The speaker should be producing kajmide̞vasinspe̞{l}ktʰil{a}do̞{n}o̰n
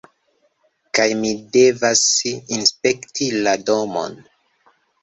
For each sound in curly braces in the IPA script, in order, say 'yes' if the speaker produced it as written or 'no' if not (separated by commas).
no, yes, no